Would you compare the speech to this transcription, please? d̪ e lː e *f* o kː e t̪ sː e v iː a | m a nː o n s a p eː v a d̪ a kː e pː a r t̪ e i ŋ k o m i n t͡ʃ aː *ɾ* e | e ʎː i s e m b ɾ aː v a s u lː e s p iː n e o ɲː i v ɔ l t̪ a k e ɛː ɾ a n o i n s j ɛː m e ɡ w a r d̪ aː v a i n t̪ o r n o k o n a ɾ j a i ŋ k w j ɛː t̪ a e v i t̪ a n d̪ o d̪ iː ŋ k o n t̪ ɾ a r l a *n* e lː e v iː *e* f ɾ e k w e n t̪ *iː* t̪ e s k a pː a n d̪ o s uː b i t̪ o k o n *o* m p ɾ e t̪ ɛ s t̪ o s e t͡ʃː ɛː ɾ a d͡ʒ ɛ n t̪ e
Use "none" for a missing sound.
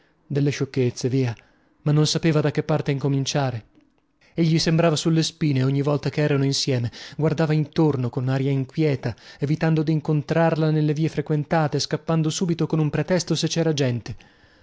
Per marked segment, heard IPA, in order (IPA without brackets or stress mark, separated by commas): ʃ, ɾ, n, e, aː, u